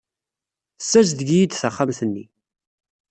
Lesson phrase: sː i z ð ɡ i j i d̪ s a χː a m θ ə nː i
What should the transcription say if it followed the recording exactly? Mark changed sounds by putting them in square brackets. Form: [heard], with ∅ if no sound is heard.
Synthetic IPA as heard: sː [æ] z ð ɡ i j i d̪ [θ] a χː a m θ ə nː i